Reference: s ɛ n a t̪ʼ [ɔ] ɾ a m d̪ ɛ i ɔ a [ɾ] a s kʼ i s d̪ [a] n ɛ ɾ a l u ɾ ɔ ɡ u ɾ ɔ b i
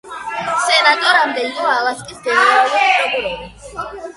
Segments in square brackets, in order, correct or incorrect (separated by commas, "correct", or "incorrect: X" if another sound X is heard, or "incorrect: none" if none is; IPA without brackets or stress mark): correct, incorrect: l, incorrect: ɛ